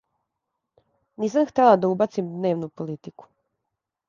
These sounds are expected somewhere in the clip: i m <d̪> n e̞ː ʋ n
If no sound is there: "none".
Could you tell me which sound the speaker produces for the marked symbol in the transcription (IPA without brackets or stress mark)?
d̪